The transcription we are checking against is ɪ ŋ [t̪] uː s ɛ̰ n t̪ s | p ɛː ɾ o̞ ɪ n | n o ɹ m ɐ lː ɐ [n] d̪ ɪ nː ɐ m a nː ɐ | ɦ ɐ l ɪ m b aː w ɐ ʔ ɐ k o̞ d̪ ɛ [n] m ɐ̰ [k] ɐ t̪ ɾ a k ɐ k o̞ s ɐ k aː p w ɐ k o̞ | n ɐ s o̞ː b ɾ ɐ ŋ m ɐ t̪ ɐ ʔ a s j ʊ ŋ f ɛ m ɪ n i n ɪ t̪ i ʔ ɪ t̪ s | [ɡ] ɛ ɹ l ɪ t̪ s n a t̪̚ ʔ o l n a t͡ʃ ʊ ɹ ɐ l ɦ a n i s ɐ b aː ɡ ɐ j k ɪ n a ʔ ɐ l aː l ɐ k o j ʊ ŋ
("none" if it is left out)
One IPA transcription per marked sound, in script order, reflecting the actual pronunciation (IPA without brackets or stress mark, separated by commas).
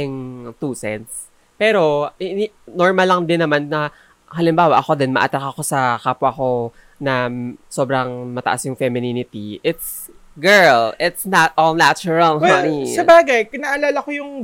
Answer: t̪, ŋ, n, ʔ, ɡ